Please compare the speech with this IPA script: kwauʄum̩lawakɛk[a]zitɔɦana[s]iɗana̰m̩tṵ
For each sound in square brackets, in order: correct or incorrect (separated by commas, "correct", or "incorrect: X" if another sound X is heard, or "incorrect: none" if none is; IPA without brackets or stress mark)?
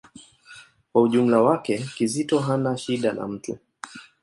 incorrect: i, incorrect: ʃ